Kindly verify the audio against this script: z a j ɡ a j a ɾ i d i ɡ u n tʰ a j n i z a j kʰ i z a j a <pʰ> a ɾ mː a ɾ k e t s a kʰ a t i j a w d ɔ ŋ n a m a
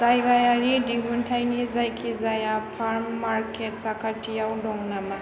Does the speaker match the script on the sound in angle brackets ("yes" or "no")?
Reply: yes